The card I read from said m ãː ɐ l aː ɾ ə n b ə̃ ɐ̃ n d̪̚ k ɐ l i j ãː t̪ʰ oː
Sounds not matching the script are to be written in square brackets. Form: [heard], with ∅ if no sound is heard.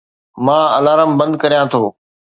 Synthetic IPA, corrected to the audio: m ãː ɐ l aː ɾ ə [m] b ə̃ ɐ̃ n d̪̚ k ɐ [ɾ] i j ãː t̪ʰ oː